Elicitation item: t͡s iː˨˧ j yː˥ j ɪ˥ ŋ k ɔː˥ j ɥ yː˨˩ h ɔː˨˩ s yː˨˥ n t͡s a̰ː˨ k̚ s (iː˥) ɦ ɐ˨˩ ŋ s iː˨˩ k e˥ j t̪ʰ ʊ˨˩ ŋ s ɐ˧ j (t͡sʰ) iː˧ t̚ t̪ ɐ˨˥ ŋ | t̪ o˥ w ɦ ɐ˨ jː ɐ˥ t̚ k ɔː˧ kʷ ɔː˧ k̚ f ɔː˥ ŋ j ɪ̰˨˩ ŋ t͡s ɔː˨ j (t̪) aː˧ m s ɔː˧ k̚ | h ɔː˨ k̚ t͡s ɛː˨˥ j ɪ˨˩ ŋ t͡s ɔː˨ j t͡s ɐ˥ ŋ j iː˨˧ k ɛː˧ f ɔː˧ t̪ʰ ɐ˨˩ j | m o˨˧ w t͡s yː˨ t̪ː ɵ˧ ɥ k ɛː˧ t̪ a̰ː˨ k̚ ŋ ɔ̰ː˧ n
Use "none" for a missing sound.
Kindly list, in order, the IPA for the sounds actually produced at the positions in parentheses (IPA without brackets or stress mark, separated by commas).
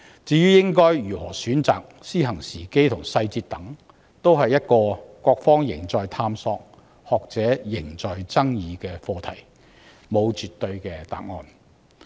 iː˥, t͡s, t̪ʰ